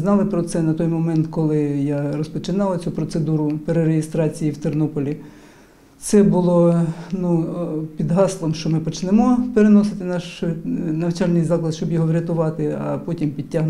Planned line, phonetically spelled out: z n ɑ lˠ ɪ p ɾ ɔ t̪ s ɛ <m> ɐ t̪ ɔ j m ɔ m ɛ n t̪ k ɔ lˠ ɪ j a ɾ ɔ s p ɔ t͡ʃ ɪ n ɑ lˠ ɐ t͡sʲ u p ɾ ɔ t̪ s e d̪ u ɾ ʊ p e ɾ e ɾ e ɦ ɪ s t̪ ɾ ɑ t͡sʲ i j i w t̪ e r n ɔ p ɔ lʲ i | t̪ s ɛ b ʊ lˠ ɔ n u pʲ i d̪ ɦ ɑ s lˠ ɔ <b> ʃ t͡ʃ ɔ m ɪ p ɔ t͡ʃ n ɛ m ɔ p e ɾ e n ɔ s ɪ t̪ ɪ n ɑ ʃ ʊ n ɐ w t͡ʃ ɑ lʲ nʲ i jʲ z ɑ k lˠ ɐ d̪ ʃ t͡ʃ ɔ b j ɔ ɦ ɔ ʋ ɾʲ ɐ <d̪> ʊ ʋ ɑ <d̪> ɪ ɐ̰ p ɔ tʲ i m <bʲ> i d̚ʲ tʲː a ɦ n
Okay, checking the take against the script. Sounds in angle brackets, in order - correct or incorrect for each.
incorrect: n, incorrect: m, incorrect: t̪, incorrect: t̪, incorrect: pʲ

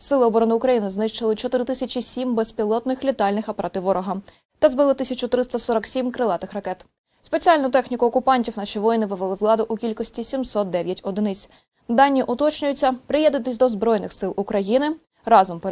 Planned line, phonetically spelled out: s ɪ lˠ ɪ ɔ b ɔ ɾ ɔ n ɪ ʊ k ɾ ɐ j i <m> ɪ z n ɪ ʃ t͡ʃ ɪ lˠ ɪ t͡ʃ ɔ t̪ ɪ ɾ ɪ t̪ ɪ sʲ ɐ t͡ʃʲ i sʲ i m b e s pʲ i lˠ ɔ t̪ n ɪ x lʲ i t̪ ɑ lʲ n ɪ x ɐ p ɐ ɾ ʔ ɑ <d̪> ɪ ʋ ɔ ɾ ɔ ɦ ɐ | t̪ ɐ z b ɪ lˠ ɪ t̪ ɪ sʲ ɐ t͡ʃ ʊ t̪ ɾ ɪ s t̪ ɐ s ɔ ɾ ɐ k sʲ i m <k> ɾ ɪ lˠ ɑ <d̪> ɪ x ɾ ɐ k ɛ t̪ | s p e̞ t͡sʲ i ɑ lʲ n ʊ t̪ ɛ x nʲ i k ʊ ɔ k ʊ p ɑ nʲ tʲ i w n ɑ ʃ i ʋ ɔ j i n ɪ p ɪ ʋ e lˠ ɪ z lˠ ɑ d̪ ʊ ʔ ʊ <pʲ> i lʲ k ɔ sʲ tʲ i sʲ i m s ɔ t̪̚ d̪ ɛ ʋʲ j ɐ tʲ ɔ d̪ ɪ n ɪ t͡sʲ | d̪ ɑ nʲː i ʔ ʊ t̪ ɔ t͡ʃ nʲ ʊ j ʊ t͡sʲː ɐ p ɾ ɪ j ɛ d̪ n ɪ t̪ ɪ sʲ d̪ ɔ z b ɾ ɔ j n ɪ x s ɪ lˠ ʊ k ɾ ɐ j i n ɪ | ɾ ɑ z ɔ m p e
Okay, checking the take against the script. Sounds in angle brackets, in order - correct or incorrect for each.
incorrect: n, incorrect: t̪, correct, incorrect: t̪, incorrect: kʲ

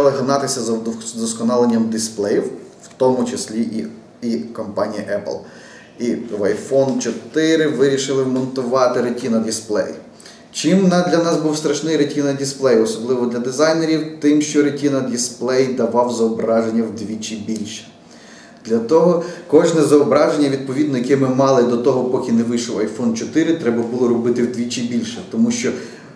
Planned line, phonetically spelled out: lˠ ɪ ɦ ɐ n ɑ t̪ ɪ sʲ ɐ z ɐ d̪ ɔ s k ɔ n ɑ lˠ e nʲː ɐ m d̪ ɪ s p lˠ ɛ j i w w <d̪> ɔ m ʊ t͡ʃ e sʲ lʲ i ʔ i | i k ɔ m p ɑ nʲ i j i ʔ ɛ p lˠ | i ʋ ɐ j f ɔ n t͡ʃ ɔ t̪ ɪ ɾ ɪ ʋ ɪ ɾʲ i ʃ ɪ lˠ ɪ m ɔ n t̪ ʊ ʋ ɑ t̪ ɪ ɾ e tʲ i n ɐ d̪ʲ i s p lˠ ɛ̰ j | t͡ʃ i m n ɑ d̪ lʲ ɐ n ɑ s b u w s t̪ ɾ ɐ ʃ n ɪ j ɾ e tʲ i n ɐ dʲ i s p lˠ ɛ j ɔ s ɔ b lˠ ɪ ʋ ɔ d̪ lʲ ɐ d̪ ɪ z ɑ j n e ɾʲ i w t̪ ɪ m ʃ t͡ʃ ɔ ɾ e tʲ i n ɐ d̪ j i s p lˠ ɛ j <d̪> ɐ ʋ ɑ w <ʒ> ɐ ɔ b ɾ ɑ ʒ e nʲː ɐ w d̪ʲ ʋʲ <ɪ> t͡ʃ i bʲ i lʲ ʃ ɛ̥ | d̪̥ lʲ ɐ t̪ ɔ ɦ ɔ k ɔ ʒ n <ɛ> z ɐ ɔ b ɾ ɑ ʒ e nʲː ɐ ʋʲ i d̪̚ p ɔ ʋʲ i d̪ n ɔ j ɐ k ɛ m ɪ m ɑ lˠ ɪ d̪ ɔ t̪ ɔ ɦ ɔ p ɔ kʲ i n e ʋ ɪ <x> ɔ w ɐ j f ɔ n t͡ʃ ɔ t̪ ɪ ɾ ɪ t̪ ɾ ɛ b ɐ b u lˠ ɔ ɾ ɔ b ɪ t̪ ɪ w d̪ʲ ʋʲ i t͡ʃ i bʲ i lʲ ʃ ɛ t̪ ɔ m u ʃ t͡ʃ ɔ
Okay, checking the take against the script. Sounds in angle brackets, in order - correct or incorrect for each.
incorrect: t̪, correct, incorrect: z, incorrect: i, correct, incorrect: ʃ

